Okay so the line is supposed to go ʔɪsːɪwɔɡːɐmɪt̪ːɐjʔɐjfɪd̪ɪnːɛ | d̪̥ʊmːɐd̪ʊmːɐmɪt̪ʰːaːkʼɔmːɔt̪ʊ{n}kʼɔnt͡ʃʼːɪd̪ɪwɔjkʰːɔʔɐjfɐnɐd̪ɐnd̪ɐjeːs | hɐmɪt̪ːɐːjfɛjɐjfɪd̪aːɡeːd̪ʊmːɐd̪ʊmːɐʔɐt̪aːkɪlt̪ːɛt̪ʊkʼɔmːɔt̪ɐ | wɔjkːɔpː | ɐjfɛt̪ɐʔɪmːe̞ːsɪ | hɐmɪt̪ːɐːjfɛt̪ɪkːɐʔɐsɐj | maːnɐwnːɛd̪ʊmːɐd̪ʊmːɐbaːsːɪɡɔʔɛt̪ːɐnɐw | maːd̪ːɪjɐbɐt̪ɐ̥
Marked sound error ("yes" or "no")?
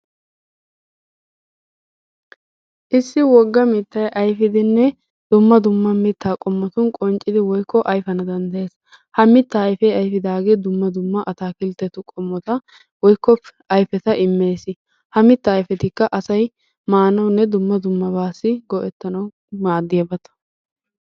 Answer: no